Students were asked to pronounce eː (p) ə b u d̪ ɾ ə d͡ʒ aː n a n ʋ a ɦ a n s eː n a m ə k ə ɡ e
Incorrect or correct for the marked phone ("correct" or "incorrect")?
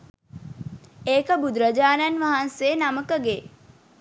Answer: incorrect